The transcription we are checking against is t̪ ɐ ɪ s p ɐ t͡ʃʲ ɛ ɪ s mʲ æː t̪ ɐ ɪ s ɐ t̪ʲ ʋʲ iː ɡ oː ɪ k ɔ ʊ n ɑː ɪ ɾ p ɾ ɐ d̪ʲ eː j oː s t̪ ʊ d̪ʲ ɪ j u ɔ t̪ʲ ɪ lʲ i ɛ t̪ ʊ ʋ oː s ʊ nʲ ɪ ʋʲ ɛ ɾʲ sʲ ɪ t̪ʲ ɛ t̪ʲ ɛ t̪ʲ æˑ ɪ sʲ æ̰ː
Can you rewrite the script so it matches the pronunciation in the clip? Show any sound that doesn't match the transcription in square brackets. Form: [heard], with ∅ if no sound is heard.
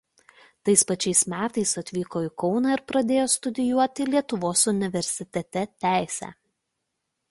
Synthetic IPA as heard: t̪ ɐ ɪ s p ɐ t͡ʃʲ ɛ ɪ s mʲ æː t̪ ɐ ɪ s ɐ t̪ʲ ʋʲ iː [k] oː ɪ k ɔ ʊ n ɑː ɪ ɾ p ɾ ɐ d̪ʲ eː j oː s t̪ ʊ d̪ʲ ɪ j u ɔ t̪ʲ ɪ lʲ i ɛ t̪ ʊ ʋ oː s ʊ nʲ ɪ ʋʲ ɛ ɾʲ sʲ ɪ t̪ʲ ɛ t̪ʲ ɛ t̪ʲ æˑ ɪ sʲ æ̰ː

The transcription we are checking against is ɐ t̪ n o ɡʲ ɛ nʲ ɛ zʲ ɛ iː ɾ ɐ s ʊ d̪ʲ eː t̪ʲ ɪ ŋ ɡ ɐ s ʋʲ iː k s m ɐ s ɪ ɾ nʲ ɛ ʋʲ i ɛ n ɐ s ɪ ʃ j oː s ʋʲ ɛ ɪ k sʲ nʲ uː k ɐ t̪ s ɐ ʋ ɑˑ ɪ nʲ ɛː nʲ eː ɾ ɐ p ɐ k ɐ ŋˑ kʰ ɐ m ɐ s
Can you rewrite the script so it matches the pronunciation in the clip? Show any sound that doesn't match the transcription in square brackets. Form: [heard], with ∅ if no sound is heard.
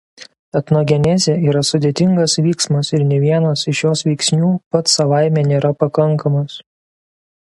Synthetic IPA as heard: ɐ t̪ n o ɡʲ ɛ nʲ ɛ zʲ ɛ iː ɾ ɐ s ʊ d̪ʲ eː t̪ʲ ɪ ŋ ɡ ɐ s ʋʲ iː k s m ɐ s ɪ ɾ nʲ ɛ ʋʲ i ɛ n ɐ s ɪ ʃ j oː s ʋʲ ɛ ɪ k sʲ nʲ uː [p] ɐ t̪ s ɐ ʋ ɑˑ ɪ [mʲ] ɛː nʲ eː ɾ ɐ p ɐ k ɐ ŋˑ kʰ ɐ m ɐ s

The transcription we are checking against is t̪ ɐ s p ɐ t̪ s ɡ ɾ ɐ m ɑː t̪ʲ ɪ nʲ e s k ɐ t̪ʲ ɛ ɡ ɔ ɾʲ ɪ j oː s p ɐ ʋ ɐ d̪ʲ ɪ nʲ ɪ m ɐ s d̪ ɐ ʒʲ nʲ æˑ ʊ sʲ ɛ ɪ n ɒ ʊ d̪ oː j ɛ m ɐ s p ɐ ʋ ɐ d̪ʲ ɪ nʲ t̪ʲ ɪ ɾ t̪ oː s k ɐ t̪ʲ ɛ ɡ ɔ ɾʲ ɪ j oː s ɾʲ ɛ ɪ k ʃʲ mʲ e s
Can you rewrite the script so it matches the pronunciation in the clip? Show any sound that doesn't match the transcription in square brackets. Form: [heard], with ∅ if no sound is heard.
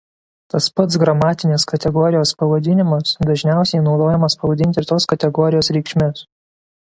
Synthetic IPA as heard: t̪ ɐ s p ɐ t̪ s ɡ ɾ ɐ m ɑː t̪ʲ ɪ nʲ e s k ɐ t̪ʲ ɛ ɡ ɔ ɾʲ ɪ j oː s p ɐ ʋ ɐ d̪ʲ ɪ nʲ ɪ m ɐ s d̪ ɐ ʒʲ nʲ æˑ ʊ sʲ ɛ ɪ n ɒ ʊ d̪ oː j ɛ m ɐ s p ɐ ʋ ɐ d̪ʲ ɪ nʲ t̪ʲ ɪ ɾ t̪ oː s k ɐ t̪ʲ ɛ ɡ ɔ ɾʲ ɪ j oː s ɾʲ ɛ ɪ k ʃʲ mʲ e s

